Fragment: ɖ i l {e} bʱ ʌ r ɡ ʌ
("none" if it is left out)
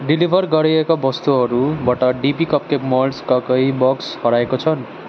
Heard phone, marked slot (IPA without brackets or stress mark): i